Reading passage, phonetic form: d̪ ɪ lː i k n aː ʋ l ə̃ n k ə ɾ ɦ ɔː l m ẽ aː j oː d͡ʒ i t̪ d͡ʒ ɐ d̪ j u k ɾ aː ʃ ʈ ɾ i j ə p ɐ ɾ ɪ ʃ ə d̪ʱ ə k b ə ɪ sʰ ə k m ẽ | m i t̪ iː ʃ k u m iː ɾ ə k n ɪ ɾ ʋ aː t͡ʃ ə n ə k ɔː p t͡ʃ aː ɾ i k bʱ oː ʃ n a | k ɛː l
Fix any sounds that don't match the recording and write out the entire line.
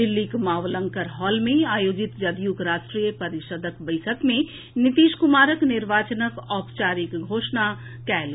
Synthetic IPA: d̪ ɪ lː i k m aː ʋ l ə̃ ŋ k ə ɾ ɦ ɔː l m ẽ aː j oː d͡ʒ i t̪ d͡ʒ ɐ d̪ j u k ɾ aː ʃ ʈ ɾ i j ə p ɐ ɾ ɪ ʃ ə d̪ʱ ə k b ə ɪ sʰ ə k m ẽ | n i t̪ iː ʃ k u m aː ɾ ə k n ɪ ɾ ʋ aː t͡ʃ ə n ə k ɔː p t͡ʃ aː ɾ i k ɡʱ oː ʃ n a | k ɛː l

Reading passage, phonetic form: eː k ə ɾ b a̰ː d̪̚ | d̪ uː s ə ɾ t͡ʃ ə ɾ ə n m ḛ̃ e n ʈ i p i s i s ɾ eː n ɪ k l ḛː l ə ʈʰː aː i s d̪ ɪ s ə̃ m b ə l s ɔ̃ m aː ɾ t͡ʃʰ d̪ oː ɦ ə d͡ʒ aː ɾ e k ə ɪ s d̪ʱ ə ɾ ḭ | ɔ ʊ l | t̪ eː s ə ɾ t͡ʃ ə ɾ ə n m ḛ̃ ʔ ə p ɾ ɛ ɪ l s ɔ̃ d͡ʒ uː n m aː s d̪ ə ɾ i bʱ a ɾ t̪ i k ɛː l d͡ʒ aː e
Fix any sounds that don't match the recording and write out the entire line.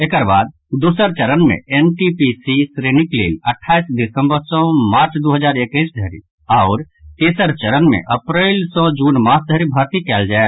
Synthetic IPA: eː k ə ɾ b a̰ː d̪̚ | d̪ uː s ə ɾ t͡ʃ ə ɾ ə n m ḛ̃ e n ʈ i p i s i s ɾ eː n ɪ k l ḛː l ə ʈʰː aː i s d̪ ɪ s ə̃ m b ə ɾ s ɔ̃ m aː ɾ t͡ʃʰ d̪ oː ɦ ə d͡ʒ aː ɾ e k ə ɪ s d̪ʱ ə ɾ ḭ | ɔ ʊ ɾ | t̪ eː s ə ɾ t͡ʃ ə ɾ ə n m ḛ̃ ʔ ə p ɾ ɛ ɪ l s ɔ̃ d͡ʒ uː n m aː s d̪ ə ɾ i bʱ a ɾ t̪ i k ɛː l d͡ʒ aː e

